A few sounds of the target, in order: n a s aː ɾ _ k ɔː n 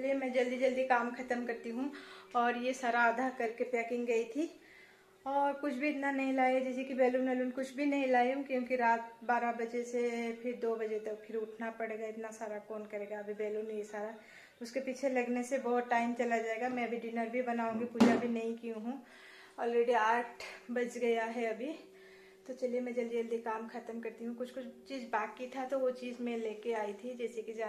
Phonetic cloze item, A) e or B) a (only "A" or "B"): B